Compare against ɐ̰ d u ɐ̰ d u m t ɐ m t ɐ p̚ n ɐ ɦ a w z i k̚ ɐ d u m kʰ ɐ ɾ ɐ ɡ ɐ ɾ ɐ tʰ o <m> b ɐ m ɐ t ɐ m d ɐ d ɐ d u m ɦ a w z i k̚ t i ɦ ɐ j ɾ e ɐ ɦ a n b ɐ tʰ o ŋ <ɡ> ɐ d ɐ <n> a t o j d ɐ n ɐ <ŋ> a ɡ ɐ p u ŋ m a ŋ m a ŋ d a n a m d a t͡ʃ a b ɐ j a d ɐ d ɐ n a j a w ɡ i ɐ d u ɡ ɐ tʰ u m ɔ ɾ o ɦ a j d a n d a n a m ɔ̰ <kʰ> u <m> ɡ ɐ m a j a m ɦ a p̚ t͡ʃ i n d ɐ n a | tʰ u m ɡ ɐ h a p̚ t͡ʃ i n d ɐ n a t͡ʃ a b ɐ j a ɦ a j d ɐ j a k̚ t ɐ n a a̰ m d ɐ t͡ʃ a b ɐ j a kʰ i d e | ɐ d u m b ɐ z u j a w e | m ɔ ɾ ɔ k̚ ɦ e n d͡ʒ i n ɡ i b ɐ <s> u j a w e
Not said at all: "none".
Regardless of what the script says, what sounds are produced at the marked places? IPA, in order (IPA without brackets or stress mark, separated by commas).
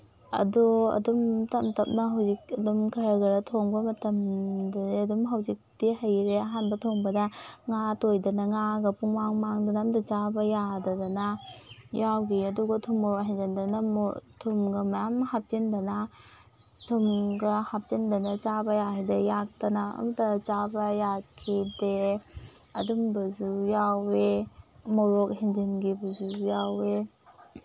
ŋ, b, ŋ, ŋ, tʰ, m, z